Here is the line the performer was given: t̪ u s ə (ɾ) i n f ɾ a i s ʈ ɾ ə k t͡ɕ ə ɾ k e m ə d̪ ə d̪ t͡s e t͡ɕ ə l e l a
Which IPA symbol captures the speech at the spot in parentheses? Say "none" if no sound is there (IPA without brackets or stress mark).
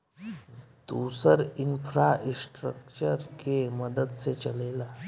ɾ